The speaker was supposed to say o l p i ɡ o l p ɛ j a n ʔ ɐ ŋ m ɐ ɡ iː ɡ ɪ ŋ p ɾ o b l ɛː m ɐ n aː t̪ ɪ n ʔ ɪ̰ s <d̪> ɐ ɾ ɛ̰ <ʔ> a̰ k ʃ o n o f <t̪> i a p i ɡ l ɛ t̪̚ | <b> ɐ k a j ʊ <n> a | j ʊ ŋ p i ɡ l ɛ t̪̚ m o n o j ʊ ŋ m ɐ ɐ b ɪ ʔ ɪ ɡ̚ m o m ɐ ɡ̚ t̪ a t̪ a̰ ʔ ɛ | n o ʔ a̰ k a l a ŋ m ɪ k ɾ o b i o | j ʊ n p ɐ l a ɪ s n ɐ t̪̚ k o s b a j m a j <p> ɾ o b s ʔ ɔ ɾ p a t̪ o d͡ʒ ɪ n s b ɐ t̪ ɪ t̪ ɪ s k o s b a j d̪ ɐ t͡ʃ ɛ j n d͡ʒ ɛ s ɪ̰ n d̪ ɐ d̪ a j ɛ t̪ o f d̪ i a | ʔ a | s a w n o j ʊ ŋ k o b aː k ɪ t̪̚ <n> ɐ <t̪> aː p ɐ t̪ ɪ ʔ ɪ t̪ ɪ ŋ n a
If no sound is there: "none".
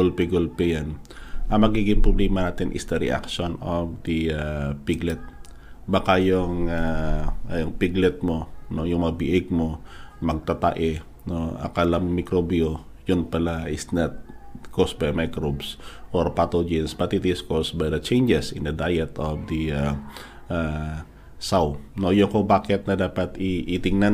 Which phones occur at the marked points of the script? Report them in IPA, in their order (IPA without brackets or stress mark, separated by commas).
d̪, ʔ, d̪, b, ŋ, k, n, d̪